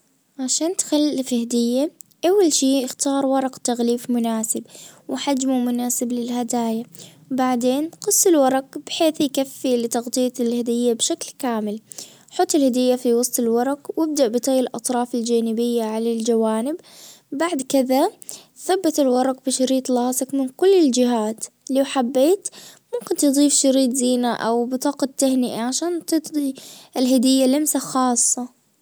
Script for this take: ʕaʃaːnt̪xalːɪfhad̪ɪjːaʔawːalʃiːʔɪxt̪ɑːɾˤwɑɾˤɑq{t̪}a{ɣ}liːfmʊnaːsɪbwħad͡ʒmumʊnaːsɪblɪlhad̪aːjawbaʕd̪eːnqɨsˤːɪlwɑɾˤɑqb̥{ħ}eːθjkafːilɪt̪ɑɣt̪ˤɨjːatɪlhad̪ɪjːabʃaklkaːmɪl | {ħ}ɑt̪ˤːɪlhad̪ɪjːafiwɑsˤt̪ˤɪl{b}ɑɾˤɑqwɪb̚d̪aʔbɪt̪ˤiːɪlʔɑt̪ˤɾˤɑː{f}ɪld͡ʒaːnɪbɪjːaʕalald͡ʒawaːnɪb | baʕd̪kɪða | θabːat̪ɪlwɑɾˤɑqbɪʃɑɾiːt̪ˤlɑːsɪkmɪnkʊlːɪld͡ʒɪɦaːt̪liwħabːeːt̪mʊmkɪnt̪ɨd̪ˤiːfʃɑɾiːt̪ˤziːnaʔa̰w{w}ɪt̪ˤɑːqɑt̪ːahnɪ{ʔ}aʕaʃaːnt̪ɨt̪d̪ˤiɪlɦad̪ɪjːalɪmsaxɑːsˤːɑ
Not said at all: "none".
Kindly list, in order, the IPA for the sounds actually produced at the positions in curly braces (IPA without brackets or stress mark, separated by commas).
t̪, ɣ, ħ, ħ, w, f, b, ʔ